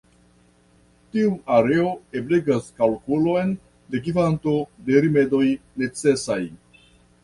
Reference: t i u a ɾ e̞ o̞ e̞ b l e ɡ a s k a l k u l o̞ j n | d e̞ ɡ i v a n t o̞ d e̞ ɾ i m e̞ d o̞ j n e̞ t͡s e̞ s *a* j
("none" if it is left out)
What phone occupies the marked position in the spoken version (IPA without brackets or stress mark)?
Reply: a